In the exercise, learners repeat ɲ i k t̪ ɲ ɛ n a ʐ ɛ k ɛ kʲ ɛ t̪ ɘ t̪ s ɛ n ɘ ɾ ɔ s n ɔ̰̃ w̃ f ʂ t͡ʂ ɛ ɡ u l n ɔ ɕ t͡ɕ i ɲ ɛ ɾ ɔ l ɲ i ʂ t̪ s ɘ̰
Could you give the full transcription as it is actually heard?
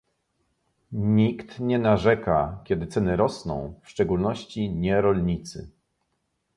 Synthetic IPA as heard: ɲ i k t̪ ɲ ɛ n a ʐ ɛ k a kʲ ɛ d̪ ɘ t̪ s ɛ n ɘ ɾ ɔ s n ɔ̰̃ w̃ f ʂ t͡ʂ ɛ ɡ u l n ɔ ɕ t͡ɕ i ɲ ɛ ɾ ɔ l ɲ i t̪ s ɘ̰